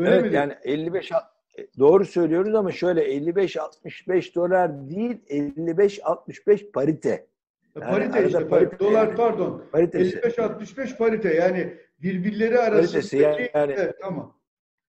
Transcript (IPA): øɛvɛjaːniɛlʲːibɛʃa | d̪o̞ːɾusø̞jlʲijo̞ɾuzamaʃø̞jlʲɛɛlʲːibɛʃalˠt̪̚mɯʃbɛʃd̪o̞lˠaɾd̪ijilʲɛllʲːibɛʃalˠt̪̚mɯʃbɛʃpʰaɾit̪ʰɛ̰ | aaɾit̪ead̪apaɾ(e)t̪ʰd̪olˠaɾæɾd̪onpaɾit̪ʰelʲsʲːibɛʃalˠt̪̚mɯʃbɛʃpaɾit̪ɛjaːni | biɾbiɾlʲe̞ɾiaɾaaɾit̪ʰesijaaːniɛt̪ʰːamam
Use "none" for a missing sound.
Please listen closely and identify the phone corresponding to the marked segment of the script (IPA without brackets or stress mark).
i